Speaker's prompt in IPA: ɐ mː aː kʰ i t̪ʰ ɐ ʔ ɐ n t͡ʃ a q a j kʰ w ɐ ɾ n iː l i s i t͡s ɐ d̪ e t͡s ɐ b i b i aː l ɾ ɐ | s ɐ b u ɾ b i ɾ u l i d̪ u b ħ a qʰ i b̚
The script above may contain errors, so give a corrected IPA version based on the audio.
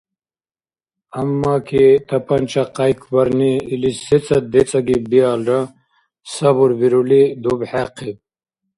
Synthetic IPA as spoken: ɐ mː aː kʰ i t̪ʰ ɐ p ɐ n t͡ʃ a q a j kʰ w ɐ ɾ n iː l i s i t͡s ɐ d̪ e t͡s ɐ ɡ i b i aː l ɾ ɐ | s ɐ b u ɾ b i ɾ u l i d̪ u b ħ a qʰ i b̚